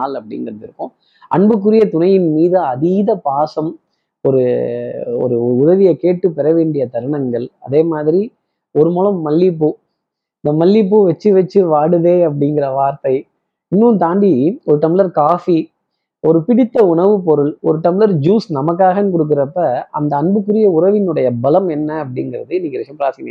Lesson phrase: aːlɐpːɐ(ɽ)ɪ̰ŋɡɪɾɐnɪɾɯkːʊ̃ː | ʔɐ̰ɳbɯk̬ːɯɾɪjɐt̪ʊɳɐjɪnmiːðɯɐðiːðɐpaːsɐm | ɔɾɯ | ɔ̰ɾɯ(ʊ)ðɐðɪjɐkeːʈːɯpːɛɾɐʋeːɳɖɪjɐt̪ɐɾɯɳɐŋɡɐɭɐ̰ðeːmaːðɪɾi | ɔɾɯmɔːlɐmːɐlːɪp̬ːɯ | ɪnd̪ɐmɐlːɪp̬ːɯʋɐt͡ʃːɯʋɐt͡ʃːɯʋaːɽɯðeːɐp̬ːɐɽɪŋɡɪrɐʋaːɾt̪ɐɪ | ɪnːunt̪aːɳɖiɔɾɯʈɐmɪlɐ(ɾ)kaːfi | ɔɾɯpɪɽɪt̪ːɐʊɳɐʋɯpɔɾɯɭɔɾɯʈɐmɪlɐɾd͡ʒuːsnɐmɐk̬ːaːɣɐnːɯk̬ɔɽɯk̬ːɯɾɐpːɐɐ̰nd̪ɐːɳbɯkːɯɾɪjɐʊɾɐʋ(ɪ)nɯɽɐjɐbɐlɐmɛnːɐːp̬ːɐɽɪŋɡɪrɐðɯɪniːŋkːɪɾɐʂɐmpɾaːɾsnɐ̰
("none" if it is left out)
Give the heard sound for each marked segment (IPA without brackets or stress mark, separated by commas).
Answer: ɽ, ʊ, ɾ, ɪ